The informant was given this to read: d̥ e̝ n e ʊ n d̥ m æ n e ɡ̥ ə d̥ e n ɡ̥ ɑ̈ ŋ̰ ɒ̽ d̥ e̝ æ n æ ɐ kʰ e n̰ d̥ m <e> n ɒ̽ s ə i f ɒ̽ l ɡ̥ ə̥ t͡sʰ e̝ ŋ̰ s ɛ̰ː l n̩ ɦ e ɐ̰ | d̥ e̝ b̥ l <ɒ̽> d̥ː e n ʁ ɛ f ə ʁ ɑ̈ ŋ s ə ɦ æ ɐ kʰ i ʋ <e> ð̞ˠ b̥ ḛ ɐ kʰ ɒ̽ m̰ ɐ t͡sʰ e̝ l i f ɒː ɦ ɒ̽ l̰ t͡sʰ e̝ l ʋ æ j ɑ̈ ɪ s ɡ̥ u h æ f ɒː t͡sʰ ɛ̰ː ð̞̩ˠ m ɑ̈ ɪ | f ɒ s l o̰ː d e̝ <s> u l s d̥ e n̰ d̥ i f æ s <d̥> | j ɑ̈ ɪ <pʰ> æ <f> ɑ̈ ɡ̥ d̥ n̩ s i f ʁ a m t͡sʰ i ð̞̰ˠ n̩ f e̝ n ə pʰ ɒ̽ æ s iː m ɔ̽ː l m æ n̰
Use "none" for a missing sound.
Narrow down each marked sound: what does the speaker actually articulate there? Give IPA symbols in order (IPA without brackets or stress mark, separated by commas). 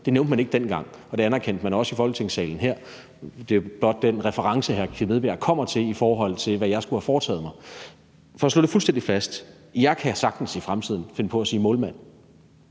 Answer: æ, ɒ̽, e, f, d̥, kʰ, s